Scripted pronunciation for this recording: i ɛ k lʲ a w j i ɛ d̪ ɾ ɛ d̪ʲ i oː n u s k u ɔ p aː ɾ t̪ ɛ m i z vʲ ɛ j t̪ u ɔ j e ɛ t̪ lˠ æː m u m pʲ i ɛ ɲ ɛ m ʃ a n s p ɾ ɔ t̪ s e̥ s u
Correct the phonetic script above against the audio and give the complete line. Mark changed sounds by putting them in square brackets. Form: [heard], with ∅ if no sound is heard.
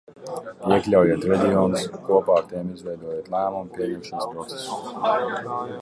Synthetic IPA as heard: i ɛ k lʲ a w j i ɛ [t̪] ɾ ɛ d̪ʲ i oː n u s k u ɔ p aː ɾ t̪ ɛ m i z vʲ ɛ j [d̪] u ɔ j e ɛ t̪ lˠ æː m u m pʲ i ɛ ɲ ɛ m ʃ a n s p ɾ ɔ t̪ s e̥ s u